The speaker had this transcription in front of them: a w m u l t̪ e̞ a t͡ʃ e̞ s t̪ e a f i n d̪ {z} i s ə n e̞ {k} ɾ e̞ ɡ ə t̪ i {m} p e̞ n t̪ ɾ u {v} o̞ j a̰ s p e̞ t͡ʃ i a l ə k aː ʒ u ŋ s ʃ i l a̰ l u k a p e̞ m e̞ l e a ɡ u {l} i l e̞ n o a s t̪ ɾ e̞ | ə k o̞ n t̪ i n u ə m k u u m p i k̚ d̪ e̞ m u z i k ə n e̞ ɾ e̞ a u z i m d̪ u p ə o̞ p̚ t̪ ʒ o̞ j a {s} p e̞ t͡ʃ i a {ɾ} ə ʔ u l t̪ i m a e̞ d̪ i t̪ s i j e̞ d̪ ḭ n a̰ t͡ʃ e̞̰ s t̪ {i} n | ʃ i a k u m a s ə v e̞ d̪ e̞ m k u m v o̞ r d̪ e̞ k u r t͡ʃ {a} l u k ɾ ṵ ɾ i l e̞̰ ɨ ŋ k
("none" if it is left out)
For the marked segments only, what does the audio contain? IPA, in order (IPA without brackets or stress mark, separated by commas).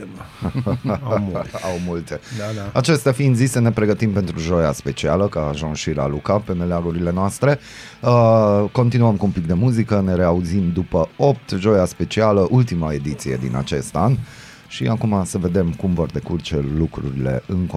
z, p, m, ʒ, ɾ, s, l, a, e